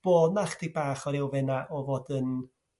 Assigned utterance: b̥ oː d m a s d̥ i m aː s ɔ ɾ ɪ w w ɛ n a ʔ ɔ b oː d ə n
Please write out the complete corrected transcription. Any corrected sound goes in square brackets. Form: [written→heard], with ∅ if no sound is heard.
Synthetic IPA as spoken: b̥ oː d [m→n] a [s→χ] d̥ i [m→b] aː [s→χ] ɔ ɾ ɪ w [w→v] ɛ n a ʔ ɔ [b→v] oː d ə n